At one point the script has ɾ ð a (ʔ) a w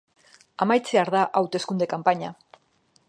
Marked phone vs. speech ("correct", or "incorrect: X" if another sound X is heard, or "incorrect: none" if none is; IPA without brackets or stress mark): correct